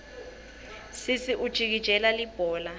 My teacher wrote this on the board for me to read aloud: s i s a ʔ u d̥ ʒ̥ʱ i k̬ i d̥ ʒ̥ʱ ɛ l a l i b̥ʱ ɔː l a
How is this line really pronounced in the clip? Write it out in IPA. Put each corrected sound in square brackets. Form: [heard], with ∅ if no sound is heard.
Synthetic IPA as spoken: s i s [i] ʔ u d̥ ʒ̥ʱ i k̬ i d̥ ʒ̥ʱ ɛ l a l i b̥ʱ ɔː l a